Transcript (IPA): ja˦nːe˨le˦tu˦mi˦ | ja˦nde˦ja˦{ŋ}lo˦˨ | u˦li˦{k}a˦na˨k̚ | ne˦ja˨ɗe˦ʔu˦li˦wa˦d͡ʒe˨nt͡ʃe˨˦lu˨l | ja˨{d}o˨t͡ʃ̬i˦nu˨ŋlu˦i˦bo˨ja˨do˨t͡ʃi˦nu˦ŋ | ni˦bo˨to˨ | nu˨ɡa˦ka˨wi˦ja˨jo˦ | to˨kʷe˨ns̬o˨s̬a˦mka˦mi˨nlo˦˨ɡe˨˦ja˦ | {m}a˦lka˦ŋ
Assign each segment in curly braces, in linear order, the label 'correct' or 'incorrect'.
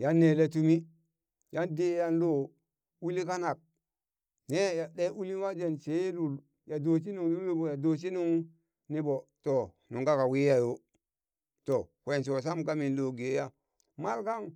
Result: incorrect: n, correct, correct, correct

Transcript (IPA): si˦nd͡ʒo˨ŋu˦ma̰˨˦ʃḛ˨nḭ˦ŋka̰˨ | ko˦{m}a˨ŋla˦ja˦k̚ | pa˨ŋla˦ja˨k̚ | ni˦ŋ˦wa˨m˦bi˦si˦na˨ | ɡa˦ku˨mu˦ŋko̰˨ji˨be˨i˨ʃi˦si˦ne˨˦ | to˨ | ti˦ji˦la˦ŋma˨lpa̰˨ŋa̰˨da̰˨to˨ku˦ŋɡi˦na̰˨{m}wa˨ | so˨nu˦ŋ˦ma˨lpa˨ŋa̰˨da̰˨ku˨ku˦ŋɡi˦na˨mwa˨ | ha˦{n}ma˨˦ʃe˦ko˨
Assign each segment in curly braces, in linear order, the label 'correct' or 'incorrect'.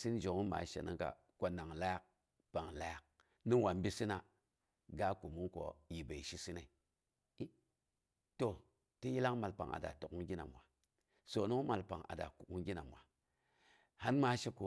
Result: incorrect: n, correct, correct

